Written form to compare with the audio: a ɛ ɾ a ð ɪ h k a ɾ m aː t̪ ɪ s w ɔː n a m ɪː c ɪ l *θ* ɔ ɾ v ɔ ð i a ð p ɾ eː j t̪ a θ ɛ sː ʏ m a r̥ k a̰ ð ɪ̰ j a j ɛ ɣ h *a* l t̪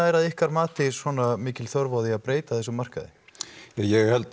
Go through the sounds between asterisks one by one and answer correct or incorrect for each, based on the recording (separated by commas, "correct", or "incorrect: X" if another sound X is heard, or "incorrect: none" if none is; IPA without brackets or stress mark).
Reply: correct, incorrect: ɛ